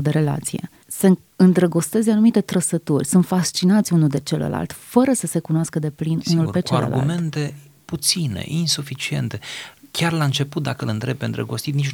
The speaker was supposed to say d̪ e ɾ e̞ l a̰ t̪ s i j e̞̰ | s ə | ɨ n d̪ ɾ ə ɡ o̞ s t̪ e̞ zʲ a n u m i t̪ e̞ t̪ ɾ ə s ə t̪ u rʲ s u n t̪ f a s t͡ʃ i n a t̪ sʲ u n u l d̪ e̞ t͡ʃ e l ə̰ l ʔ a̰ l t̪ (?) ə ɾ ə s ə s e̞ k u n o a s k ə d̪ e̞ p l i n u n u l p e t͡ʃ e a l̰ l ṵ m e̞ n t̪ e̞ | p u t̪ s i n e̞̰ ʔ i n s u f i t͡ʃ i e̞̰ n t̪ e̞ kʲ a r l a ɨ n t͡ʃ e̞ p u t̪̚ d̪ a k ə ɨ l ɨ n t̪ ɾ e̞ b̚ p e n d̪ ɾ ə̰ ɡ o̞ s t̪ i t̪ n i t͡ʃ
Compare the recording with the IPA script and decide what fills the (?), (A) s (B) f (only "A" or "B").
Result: B